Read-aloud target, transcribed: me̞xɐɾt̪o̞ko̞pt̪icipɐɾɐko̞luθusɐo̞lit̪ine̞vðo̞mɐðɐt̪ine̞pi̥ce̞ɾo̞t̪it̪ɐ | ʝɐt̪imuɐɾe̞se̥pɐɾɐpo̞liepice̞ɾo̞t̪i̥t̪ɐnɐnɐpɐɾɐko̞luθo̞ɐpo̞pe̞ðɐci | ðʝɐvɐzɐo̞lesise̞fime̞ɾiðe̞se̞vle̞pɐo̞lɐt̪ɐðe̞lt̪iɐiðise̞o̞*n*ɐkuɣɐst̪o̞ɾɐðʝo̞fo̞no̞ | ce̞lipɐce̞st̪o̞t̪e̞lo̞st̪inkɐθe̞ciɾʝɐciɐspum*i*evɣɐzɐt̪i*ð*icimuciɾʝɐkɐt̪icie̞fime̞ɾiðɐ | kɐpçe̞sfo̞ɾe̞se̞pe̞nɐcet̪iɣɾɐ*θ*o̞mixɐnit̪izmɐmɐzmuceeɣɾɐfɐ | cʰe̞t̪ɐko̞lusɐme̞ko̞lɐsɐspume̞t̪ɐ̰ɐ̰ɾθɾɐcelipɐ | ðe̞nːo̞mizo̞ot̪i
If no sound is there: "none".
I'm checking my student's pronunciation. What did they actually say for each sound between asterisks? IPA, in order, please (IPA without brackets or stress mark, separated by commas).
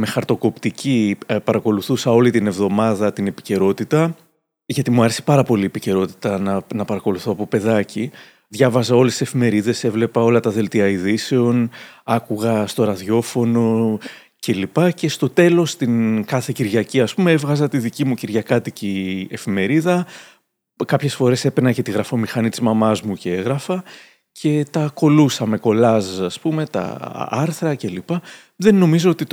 n, e, ð, f